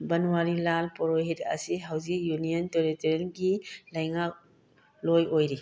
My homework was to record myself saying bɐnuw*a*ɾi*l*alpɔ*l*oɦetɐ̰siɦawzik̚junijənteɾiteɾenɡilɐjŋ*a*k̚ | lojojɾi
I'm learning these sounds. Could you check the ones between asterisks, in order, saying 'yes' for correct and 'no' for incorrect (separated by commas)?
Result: yes, yes, no, yes